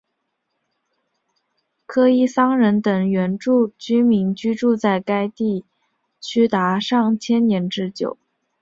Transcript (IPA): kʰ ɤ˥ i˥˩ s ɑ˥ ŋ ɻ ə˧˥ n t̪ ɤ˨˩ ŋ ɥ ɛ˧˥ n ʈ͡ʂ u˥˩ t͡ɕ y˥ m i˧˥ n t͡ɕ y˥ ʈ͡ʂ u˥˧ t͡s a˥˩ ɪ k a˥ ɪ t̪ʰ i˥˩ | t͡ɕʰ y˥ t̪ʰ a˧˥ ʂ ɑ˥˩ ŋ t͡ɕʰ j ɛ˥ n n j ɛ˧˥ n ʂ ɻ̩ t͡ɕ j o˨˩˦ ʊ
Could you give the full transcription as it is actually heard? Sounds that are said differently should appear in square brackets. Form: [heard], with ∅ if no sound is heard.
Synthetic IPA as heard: kʰ ɤ˥ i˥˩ s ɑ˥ ŋ ɻ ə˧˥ n t̪ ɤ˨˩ ŋ ɥ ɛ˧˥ n ʈ͡ʂ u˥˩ t͡ɕ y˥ m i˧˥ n t͡ɕ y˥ ʈ͡ʂ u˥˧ t͡s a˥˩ ɪ k a˥ ɪ [t̪] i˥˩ | t͡ɕʰ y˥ [t̪] a˧˥ ʂ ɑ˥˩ ŋ t͡ɕʰ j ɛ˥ n n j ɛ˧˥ n [ʈ͡ʂ] ɻ̩ t͡ɕ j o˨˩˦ ʊ